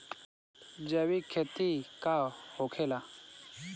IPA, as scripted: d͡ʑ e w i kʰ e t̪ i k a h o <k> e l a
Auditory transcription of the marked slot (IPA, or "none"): kʰ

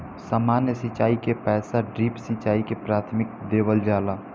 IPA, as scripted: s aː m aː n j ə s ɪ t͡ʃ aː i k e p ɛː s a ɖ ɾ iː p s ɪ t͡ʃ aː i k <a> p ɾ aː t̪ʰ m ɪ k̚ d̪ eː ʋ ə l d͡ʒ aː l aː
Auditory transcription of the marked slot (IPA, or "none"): e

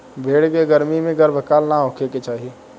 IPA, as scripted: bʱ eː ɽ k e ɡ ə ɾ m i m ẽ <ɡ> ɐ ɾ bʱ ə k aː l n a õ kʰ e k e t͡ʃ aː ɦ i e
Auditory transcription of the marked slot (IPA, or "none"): ɡ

